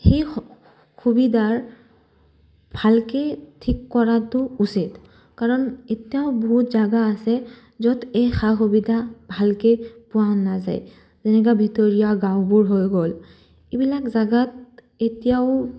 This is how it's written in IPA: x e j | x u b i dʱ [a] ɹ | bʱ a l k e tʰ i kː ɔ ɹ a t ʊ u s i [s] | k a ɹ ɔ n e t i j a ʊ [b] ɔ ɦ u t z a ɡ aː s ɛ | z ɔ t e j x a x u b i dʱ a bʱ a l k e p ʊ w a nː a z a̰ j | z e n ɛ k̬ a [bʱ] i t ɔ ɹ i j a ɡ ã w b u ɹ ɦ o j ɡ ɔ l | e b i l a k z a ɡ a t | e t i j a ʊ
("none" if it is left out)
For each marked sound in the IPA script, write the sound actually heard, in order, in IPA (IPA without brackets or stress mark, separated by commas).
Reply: a, t, b, bʱ